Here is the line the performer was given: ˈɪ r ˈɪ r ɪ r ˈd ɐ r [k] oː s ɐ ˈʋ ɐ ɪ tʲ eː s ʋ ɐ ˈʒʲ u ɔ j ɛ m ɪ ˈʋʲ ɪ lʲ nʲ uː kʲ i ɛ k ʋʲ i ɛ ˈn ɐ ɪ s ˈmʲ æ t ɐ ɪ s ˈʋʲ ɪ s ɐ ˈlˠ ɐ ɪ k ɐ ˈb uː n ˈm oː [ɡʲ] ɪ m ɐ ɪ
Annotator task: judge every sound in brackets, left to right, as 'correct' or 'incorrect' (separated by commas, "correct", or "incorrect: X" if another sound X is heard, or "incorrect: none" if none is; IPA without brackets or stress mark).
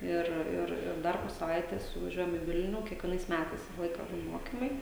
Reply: incorrect: p, incorrect: kʲ